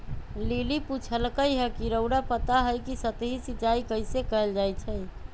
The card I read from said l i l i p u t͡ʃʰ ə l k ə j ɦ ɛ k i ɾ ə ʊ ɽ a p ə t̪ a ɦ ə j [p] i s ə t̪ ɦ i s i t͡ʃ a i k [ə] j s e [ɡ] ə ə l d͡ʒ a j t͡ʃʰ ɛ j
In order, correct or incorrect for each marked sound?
incorrect: k, correct, incorrect: k

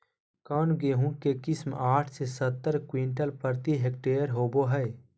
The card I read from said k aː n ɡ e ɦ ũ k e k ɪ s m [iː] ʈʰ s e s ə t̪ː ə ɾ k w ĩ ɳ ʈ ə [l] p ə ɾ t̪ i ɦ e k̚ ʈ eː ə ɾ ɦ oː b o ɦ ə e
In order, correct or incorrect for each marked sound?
incorrect: aː, correct

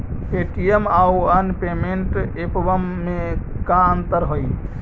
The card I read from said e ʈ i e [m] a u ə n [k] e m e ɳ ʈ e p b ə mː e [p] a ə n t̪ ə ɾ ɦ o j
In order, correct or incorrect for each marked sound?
correct, incorrect: p, incorrect: k

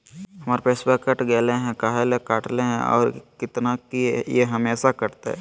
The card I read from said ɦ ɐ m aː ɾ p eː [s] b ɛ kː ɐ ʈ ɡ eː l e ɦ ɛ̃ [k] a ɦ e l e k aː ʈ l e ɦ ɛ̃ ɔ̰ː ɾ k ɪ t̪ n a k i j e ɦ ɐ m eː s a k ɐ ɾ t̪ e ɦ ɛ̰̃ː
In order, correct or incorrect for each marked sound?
correct, correct

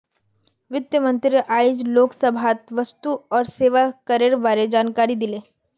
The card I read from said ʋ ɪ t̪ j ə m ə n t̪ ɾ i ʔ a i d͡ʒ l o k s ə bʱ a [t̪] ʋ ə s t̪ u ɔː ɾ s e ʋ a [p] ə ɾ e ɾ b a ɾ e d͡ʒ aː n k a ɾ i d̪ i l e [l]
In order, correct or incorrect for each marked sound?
correct, incorrect: k, incorrect: none

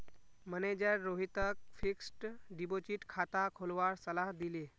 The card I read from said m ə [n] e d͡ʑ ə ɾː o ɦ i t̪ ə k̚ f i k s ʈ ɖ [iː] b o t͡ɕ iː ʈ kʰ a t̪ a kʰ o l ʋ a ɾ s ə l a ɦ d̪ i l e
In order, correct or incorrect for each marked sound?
correct, incorrect: i

